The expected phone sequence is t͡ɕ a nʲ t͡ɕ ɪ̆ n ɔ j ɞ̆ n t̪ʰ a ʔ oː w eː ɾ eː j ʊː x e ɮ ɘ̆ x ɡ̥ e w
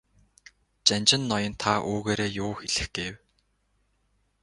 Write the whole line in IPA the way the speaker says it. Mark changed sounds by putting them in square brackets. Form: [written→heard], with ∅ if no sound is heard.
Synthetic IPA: t͡ɕ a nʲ t͡ɕ ɪ̆ [n→nː] ɔ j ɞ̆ n t̪ʰ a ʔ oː [w→ɣ] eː ɾ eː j ʊː x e ɮ ɘ̆ x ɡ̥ e w